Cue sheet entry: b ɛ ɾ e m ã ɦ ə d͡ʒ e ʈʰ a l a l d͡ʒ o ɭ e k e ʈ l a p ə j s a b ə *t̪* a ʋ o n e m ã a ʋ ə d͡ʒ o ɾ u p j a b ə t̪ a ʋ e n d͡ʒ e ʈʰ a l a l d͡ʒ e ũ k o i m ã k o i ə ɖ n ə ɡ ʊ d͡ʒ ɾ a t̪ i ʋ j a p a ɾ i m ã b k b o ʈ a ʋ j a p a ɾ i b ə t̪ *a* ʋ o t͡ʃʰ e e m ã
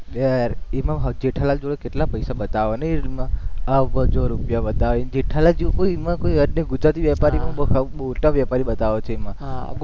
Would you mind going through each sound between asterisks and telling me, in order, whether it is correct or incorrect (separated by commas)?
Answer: correct, correct